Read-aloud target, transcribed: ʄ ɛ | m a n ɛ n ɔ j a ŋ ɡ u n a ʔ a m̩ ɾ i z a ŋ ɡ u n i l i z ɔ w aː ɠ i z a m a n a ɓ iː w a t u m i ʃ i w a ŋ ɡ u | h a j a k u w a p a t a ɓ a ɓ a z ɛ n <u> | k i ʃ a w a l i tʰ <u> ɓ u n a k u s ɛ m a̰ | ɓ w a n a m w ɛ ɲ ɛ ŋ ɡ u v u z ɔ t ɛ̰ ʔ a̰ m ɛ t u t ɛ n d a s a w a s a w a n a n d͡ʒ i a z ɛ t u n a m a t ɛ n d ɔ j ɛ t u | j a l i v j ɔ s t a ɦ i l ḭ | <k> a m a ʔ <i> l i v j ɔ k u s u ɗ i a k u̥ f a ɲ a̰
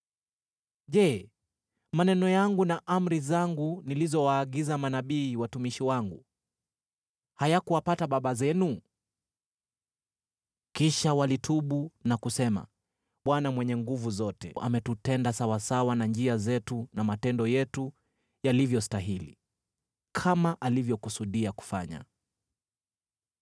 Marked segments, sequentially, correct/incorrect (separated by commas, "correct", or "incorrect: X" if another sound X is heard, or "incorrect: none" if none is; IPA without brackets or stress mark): correct, correct, incorrect: kʰ, incorrect: a